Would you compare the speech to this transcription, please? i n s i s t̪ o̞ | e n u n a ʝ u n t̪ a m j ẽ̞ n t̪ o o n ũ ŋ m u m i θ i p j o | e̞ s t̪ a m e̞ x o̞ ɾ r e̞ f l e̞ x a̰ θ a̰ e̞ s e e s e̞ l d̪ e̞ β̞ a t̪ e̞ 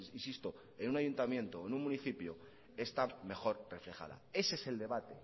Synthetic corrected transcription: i n s i s t̪ o̞ | e n u n a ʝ u n t̪ a m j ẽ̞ n t̪ o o n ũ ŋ m u n i θ i p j o | e̞ s t̪ a m e̞ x o̞ ɾ r e̞ f l e̞ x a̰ ð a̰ e̞ s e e s e̞ l d̪ e̞ β̞ a t̪ e̞